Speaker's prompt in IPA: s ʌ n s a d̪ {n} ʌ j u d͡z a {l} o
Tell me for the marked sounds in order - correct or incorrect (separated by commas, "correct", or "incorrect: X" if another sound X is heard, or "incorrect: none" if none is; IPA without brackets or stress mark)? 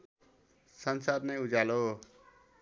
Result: correct, correct